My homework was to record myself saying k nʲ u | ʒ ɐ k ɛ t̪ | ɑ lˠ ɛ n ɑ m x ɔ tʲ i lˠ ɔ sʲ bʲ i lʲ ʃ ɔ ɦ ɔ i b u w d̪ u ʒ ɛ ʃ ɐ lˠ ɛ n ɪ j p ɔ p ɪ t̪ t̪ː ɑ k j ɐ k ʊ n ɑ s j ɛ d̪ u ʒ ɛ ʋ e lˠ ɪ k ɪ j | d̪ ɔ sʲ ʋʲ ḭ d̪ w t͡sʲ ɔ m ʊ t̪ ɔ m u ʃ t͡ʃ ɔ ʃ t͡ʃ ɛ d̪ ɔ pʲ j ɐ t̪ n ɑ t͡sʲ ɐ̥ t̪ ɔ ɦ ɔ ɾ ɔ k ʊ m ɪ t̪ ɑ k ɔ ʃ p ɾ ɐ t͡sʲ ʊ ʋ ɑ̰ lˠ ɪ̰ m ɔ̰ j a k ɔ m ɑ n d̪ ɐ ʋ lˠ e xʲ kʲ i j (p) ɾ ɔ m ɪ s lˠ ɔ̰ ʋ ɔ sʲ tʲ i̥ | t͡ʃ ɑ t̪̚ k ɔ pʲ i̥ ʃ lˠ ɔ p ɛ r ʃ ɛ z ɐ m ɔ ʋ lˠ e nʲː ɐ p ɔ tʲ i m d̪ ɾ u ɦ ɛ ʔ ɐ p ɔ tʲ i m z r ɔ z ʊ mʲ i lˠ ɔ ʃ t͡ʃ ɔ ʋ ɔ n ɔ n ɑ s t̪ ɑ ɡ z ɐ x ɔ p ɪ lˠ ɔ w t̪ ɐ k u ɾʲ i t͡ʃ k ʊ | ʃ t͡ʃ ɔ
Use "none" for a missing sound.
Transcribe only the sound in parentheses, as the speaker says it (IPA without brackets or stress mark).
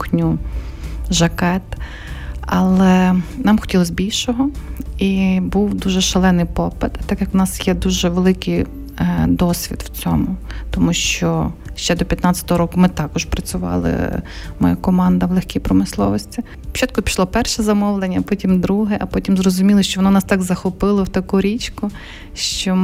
p